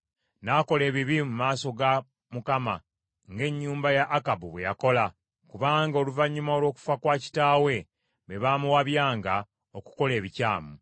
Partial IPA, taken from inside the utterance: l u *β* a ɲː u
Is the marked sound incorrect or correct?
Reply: incorrect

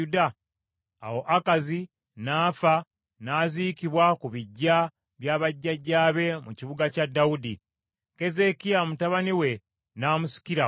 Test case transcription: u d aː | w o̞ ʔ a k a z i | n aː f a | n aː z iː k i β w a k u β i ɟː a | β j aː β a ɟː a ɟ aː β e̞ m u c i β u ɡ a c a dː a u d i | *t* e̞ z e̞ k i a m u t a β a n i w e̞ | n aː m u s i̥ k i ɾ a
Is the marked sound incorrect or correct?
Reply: incorrect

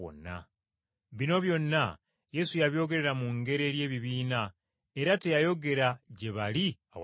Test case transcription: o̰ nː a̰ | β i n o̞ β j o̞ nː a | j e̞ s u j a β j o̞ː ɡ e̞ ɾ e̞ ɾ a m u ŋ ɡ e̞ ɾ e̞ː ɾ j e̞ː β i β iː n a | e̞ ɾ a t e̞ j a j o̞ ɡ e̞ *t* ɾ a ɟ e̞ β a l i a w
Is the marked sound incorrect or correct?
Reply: incorrect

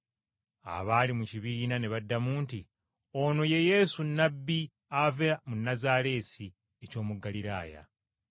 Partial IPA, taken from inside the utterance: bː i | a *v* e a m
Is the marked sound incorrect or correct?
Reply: correct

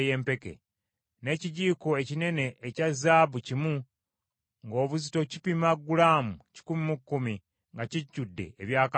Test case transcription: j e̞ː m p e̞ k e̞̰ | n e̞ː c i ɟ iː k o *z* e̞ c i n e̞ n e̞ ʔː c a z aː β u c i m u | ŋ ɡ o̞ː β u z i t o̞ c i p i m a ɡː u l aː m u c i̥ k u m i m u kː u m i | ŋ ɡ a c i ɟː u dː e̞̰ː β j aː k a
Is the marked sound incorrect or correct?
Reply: incorrect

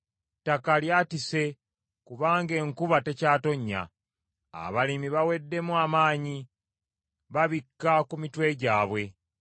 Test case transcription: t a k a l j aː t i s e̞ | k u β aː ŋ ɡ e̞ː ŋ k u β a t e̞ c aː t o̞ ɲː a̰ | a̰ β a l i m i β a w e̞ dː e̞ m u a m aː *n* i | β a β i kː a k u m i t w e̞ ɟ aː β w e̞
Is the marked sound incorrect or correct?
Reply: incorrect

